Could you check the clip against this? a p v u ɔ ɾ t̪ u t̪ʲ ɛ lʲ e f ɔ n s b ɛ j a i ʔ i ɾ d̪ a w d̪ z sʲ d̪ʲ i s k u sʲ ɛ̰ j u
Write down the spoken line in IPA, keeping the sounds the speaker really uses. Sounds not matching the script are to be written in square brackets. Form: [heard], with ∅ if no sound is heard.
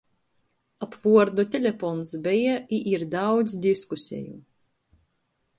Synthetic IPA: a p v u ɔ ɾ [d̪] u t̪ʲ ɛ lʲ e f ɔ n s b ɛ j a i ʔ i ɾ d̪ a w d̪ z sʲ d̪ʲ i s k u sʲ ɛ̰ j u